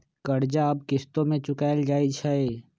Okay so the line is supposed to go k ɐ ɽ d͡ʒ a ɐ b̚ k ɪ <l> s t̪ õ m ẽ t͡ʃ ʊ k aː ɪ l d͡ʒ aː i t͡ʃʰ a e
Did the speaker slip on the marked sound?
yes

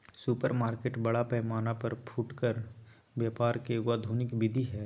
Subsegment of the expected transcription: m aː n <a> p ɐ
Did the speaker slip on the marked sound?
no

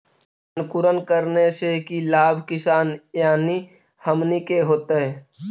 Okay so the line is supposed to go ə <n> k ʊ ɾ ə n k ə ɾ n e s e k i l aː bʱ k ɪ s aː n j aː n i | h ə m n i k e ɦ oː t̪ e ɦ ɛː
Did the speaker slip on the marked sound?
no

